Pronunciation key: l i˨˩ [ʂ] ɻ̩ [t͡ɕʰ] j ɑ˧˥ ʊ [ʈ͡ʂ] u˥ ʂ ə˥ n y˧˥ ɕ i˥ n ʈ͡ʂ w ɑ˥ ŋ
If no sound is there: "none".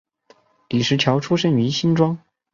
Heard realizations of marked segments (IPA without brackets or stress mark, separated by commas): ʂ, t͡ɕʰ, ʈ͡ʂʰ